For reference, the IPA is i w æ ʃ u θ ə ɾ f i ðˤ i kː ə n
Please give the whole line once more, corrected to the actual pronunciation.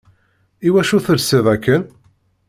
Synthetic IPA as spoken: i w æ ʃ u θ ə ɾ s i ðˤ æ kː ə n

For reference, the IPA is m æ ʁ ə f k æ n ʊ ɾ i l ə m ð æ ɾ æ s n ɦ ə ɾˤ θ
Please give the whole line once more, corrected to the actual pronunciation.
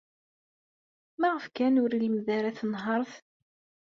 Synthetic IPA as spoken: m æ ʁ ə f k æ n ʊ ɾ i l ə m ð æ ɾ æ θ n ɦ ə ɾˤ θ

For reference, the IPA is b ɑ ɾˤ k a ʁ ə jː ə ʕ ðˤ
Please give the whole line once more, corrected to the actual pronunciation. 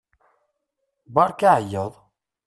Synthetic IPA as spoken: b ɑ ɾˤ k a ʕ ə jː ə ðˤ

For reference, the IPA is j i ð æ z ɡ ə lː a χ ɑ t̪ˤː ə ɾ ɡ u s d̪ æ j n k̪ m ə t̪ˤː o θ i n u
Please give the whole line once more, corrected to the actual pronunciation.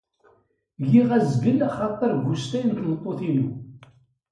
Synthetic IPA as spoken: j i ʁ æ z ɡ ə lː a χ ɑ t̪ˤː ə ɾ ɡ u s t̪ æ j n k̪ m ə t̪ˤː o θ i n u

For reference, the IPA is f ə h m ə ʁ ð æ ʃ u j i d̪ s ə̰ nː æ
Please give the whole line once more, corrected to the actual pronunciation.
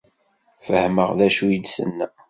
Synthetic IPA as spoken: f ə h m ə ʁ ð æ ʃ u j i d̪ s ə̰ nː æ

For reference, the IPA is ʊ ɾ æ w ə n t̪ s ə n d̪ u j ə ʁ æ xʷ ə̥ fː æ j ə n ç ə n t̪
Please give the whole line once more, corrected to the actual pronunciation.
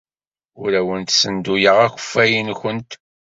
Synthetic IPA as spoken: ʊ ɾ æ w ə n t̪ s ə n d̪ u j ə ʁ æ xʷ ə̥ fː æ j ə n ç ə n t̪

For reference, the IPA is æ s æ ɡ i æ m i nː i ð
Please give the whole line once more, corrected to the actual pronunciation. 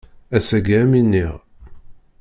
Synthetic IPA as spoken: æ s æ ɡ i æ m i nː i ʁ

